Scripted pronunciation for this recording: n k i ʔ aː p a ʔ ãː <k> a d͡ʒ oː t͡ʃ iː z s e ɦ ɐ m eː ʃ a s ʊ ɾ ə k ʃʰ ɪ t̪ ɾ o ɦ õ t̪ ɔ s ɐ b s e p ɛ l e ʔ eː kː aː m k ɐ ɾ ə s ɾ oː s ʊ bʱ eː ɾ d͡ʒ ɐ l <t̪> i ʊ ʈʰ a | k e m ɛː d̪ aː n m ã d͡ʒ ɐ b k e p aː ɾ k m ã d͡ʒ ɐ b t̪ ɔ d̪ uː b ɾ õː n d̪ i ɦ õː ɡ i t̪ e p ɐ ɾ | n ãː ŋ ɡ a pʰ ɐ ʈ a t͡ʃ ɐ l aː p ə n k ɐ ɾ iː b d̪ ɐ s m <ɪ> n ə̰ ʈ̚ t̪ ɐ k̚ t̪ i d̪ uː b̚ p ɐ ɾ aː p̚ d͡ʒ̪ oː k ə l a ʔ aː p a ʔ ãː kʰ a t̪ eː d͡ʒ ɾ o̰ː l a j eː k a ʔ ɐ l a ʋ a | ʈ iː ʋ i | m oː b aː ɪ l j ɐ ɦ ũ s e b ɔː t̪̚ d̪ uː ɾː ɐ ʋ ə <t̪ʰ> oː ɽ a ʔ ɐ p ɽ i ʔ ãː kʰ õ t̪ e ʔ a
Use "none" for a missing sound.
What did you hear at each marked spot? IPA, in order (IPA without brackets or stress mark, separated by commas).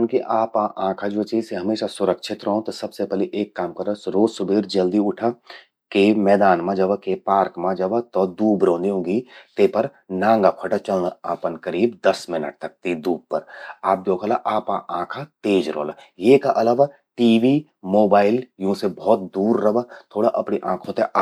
kʰ, d̪, ɪ, t̪ʰ